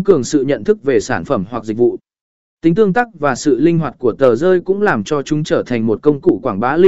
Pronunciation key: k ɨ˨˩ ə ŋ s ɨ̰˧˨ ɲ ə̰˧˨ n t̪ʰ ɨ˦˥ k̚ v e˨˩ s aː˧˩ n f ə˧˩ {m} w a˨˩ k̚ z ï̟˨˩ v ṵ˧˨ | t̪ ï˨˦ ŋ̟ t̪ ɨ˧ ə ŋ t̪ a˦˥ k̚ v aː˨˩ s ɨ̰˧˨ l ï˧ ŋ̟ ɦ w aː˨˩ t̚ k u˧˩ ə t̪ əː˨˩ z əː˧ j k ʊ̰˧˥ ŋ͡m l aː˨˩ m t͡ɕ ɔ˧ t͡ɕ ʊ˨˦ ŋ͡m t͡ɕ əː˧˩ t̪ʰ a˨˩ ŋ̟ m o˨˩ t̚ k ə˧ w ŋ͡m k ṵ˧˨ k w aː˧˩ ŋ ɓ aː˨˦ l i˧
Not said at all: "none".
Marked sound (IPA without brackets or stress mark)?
m